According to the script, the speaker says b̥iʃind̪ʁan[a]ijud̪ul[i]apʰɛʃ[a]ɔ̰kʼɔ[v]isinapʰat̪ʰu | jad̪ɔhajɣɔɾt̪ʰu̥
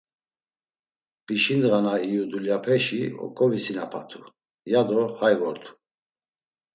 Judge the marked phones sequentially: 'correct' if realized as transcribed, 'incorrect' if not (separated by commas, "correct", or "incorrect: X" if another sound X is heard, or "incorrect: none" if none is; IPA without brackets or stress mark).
correct, incorrect: j, incorrect: i, correct